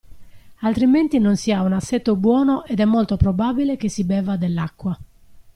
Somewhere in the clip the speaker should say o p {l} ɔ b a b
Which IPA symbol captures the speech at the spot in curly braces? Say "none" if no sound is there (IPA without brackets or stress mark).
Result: ɾ